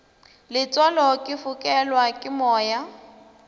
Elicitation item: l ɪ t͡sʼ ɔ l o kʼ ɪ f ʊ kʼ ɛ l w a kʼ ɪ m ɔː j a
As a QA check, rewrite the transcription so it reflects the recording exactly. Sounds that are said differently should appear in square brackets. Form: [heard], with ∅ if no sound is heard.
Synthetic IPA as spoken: l ɪ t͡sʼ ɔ l [ɔ] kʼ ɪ f ʊ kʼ ɛ l w a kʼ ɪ m ɔː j a